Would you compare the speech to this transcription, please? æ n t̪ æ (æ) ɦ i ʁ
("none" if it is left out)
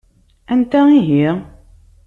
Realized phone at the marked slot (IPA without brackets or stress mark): i